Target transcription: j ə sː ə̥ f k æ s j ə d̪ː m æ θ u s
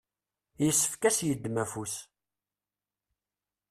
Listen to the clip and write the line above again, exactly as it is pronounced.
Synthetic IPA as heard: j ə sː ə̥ f k æ s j ə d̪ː m æ f u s